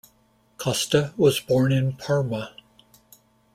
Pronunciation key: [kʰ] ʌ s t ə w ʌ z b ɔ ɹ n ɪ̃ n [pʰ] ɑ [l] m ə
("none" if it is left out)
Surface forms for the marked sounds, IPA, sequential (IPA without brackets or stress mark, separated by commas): kʰ, pʰ, ɹ